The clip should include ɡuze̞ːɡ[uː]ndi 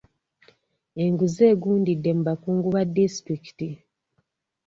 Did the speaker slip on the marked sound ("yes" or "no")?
no